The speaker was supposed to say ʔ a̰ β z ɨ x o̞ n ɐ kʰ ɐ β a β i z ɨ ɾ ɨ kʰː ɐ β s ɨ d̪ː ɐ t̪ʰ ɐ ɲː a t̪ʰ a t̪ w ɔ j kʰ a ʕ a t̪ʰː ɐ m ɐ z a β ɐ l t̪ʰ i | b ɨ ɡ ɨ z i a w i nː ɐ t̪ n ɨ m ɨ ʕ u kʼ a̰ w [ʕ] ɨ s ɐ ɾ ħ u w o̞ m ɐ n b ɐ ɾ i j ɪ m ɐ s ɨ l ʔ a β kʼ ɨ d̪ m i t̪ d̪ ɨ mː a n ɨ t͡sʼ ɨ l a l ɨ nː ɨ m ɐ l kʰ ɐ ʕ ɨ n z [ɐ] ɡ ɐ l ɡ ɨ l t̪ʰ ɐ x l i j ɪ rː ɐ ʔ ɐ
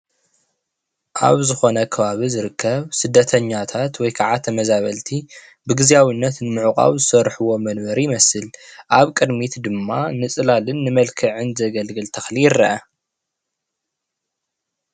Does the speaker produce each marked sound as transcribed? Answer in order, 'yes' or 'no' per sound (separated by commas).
no, yes